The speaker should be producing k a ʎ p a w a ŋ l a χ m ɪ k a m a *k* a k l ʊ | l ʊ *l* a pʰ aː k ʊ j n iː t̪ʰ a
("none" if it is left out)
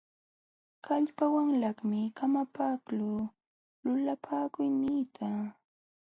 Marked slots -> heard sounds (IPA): p, l

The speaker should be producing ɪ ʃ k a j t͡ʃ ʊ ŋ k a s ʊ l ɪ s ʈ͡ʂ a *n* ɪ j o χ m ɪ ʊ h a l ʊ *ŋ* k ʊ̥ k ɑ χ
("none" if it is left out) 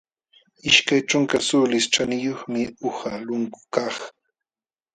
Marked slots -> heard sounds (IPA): n, ŋ

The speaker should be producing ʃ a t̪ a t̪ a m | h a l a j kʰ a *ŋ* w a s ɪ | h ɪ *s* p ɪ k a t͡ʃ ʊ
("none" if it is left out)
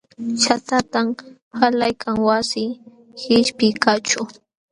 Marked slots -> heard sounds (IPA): ŋ, ʃ

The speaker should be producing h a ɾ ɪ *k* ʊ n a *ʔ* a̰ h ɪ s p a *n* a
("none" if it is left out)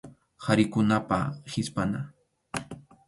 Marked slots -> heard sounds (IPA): k, p, n

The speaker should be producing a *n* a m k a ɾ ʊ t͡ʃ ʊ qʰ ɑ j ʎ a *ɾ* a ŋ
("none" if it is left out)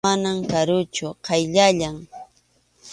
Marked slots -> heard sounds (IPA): n, ʎ

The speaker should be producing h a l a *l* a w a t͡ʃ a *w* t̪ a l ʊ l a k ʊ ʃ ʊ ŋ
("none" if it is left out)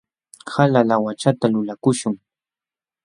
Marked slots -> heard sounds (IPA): l, none

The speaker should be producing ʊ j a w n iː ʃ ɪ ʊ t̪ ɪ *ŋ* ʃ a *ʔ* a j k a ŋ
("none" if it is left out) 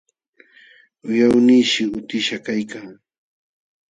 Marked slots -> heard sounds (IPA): none, k

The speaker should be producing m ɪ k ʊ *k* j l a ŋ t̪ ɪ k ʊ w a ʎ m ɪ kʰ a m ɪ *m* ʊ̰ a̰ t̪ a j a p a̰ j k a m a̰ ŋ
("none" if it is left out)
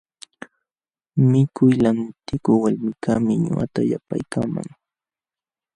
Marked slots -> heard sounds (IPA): none, ɲ

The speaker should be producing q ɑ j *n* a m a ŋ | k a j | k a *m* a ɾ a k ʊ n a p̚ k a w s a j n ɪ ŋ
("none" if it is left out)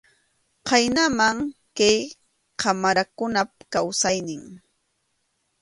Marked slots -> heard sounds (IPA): n, m

